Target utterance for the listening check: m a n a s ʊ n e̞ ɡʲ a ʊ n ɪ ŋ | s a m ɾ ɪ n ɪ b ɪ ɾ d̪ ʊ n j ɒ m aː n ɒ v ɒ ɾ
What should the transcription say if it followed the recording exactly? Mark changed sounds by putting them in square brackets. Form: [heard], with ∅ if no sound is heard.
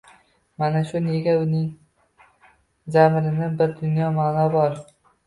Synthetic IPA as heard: m a n a [ʃ] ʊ n e̞ ɡʲ a ʊ n ɪ ŋ | [z] a m ɾ ɪ n ɪ b ɪ ɾ d̪ ʊ n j ɒ m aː n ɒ [b] ɒ ɾ